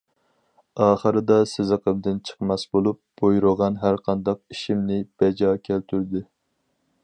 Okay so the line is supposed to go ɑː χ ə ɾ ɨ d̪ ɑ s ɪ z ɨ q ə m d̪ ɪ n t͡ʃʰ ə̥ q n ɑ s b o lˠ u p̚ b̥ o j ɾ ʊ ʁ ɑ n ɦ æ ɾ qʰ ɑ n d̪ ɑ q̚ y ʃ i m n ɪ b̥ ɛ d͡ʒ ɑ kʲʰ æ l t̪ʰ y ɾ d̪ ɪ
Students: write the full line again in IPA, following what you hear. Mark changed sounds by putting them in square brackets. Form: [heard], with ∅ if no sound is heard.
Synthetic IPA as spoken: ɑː χ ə ɾ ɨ d̪ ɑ s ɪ z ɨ q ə m d̪ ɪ n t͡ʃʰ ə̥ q [m] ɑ s b o lˠ u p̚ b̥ o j ɾ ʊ ʁ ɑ n ɦ æ ɾ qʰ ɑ n d̪ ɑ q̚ [i] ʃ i m n ɪ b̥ ɛ d͡ʒ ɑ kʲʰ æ l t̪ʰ y ɾ d̪ ɪ